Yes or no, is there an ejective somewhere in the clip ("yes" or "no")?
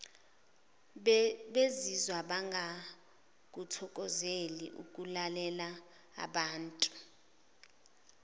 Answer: yes